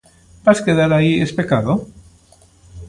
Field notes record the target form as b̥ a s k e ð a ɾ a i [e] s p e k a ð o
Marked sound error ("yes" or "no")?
no